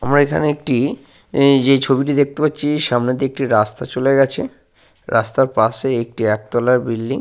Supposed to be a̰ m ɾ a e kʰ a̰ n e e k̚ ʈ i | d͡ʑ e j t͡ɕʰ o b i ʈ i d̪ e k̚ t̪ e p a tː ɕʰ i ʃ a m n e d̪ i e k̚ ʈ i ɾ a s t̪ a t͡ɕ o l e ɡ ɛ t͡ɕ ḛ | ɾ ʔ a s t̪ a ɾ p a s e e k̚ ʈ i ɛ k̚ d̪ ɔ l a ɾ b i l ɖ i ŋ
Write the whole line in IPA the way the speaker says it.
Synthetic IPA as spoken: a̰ m ɾ a e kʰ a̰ n e e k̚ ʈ i | d͡ʑ e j t͡ɕʰ o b i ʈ i d̪ e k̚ t̪ e p a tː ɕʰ i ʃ a m n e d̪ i e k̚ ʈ i ɾ a s t̪ a t͡ɕ o l e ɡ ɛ t͡ɕʰ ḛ | ɾ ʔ a s t̪ a ɾ p a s e e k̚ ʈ i ɛ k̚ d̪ ɔ l a ɾ b i l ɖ i ŋ